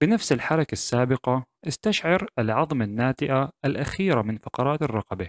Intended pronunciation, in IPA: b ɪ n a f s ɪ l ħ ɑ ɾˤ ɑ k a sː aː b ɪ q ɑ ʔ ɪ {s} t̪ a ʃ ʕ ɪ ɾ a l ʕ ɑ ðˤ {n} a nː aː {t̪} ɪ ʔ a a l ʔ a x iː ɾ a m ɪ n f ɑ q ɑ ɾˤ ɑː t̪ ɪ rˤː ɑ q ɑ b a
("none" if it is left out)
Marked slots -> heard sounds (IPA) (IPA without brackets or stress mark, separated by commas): s, m, t̪